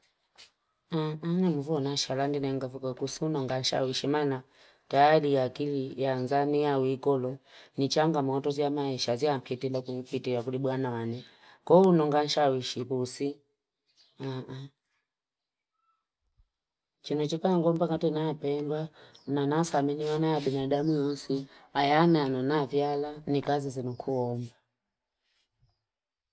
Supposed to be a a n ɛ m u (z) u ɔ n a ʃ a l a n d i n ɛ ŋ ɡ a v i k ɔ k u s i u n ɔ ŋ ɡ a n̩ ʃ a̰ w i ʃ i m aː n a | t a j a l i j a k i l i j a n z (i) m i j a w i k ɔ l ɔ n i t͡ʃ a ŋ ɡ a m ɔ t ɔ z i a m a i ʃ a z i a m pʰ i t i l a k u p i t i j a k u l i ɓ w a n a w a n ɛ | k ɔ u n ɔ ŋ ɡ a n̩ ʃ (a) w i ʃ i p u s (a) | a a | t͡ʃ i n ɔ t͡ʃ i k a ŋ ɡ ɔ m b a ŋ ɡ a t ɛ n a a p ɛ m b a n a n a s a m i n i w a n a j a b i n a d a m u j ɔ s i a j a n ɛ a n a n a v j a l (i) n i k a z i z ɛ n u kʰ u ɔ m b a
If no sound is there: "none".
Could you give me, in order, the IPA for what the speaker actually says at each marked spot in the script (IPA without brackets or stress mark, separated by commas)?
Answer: v, a, a, i, a